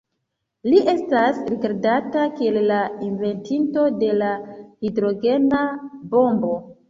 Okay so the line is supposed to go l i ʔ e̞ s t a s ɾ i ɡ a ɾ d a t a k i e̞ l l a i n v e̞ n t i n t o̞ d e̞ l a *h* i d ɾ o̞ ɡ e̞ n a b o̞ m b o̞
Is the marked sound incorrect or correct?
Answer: correct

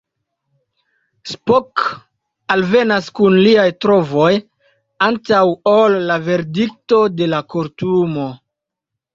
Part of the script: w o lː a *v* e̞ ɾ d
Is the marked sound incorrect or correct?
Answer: correct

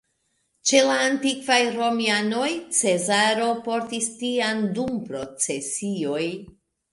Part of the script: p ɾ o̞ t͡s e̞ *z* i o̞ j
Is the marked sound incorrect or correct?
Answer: incorrect: s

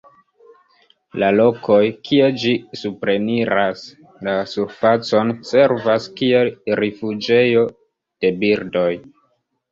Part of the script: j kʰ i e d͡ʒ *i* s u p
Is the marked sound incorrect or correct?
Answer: correct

